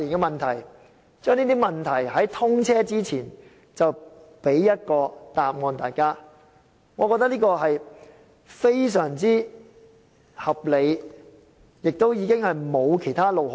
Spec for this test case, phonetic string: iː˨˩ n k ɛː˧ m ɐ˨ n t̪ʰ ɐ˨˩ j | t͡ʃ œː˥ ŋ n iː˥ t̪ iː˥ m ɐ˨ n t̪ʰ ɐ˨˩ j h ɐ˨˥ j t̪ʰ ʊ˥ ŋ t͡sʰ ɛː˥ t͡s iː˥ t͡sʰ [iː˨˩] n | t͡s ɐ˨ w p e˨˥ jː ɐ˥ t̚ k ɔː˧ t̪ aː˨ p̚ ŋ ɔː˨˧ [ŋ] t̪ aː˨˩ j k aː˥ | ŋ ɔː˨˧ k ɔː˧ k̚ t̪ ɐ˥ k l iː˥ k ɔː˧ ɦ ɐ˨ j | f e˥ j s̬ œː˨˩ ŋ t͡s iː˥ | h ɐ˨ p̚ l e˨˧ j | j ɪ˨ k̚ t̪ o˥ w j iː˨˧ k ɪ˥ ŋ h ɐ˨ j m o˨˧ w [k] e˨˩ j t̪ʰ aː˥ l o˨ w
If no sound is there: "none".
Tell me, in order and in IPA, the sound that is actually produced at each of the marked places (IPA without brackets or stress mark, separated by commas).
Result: iː˨˩, n, kʰ